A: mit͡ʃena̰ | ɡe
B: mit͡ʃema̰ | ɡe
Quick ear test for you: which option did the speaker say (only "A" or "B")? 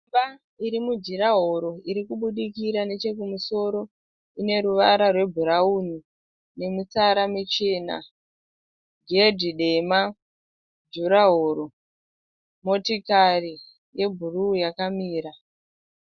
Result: A